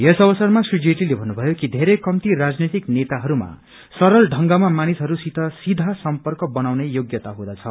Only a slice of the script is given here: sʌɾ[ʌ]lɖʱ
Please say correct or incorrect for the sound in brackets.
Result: correct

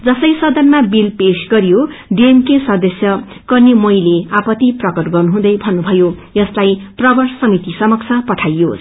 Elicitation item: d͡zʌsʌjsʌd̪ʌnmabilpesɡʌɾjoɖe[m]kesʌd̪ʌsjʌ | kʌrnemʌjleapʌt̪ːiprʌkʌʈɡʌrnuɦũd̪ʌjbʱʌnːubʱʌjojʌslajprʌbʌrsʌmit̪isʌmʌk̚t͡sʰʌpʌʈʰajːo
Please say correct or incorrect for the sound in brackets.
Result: correct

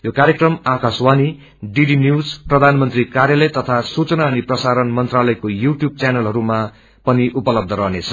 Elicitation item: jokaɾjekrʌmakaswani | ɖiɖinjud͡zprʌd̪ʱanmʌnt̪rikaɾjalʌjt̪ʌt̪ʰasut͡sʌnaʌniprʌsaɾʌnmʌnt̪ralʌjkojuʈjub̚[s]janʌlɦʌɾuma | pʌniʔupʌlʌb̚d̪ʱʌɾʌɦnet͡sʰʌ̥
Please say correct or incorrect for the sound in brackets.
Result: incorrect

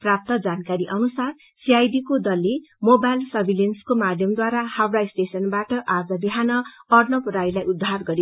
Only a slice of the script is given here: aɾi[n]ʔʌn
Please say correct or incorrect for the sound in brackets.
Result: incorrect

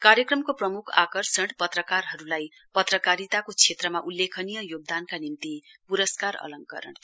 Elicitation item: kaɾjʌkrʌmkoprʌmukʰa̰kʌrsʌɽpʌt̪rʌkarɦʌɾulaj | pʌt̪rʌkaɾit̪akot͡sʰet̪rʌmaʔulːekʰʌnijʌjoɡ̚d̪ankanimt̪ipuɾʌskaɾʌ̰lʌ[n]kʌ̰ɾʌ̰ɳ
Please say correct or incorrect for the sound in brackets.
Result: incorrect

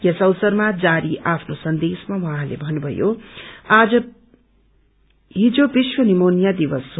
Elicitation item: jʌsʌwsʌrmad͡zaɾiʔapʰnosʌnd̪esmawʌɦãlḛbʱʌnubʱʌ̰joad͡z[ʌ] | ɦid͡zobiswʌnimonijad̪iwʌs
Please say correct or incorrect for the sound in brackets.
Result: correct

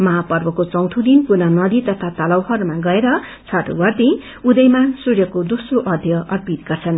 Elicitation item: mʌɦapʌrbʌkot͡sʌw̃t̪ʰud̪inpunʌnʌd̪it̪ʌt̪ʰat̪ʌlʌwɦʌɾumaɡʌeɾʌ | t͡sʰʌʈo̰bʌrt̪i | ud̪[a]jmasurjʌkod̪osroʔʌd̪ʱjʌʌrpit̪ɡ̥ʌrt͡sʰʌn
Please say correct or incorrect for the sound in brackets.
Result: incorrect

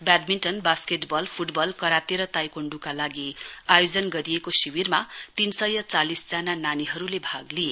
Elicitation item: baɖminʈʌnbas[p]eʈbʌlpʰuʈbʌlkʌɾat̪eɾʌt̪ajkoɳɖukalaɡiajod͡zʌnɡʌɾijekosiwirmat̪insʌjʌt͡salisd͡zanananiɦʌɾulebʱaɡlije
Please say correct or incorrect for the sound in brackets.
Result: incorrect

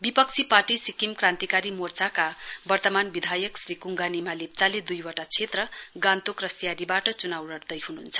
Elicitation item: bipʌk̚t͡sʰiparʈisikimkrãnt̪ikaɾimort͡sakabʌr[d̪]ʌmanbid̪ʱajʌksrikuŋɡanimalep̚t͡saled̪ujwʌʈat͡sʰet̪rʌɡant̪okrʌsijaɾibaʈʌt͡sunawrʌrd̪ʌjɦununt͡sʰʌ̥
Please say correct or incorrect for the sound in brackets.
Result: incorrect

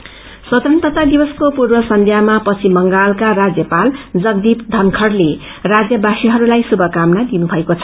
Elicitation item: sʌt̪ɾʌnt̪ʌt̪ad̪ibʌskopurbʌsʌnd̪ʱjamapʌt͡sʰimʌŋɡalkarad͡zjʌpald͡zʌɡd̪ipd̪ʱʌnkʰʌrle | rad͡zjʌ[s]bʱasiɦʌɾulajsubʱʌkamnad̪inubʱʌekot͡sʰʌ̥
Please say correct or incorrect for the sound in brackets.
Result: incorrect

